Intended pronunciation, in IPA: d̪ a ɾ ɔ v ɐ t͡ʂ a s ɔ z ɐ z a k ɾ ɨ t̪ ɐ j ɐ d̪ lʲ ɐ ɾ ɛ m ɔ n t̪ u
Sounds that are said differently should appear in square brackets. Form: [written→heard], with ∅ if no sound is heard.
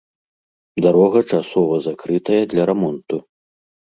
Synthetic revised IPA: d̪ a ɾ ɔ [v→ɣ] ɐ t͡ʂ a s ɔ [z→v] ɐ z a k ɾ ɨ t̪ ɐ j ɐ d̪ lʲ ɐ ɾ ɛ m ɔ n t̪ u